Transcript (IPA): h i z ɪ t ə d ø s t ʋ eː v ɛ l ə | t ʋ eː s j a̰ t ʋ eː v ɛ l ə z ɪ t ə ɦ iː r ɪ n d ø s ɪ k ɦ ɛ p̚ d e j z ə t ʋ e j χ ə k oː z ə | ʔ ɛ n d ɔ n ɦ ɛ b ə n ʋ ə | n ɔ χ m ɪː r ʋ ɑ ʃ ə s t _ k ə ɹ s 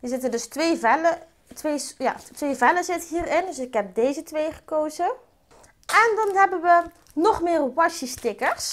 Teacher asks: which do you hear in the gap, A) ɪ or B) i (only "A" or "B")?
A